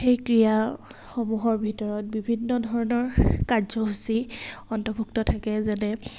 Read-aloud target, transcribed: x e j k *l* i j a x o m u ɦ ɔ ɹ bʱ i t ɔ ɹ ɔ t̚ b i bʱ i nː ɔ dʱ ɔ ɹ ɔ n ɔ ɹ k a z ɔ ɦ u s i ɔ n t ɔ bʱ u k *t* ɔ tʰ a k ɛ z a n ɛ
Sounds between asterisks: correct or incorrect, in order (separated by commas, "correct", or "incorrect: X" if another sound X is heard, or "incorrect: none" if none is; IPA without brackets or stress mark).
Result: incorrect: ɹ, correct